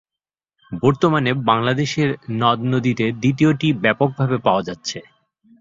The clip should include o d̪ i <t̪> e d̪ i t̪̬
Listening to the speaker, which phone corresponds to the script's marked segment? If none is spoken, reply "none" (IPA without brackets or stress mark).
t̪